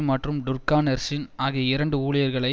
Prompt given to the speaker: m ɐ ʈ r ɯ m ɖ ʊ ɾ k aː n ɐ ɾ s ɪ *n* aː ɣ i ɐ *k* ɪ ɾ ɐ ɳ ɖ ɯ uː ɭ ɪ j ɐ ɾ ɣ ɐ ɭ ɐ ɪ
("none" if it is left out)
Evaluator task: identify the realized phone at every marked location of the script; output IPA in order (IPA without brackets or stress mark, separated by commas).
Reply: n, none